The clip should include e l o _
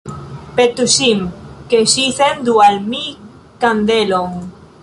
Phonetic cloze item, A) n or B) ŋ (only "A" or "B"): B